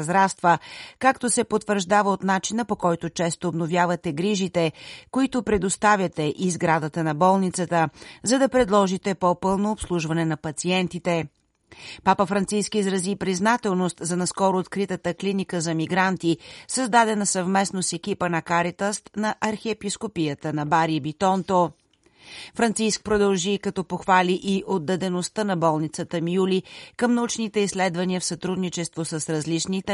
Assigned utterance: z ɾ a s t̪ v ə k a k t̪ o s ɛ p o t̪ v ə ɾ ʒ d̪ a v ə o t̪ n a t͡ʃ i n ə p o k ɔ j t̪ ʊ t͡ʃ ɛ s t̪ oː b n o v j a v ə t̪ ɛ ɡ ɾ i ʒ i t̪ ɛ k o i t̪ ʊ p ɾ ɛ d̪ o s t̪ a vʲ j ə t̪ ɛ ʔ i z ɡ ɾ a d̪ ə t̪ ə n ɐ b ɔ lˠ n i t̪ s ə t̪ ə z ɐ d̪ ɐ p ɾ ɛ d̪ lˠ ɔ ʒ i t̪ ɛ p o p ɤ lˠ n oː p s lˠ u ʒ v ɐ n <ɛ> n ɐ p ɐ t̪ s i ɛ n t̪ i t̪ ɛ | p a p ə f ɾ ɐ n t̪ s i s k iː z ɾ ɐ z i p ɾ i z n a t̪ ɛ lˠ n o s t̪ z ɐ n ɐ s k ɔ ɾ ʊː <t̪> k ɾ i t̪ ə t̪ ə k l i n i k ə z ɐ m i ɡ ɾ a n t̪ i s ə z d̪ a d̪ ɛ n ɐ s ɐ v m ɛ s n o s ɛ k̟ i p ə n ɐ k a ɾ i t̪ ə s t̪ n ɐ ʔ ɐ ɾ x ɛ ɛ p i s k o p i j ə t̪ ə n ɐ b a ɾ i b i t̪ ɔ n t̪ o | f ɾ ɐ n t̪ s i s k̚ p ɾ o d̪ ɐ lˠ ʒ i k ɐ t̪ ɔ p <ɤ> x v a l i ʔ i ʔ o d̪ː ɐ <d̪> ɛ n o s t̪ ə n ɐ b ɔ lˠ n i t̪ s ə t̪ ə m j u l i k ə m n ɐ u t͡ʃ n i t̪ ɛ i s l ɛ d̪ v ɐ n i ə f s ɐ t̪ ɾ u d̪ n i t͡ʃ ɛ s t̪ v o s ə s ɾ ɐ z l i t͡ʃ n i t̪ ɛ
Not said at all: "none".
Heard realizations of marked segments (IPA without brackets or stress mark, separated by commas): ɛ, t̪, o, d̪